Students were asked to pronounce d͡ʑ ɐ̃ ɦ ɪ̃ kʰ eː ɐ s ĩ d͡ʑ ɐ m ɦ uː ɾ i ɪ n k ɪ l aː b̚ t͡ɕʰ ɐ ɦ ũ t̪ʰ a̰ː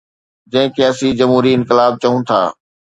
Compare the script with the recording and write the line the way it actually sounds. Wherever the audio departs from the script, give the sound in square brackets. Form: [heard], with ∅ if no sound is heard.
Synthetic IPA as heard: d͡ʑ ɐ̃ ɦ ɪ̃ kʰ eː ɐ s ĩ d͡ʑ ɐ m ɦ uː ɾ i ɪ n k ɪ l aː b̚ [t͡ɕ] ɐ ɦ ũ t̪ʰ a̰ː